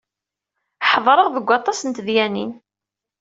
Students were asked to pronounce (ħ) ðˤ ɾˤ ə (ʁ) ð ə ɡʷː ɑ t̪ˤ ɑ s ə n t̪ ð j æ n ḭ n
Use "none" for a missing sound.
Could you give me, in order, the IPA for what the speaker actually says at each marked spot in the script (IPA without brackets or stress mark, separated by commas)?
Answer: ħ, ʁ